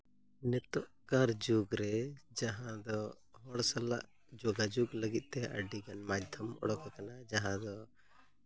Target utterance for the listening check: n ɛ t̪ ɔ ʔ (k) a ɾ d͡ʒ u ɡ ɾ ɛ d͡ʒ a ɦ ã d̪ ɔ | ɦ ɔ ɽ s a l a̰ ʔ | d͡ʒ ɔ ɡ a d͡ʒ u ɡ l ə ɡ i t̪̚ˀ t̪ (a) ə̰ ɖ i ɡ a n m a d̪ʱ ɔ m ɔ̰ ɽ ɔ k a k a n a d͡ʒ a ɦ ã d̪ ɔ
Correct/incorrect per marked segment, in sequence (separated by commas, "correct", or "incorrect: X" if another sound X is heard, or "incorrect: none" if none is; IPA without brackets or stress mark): correct, incorrect: ɛ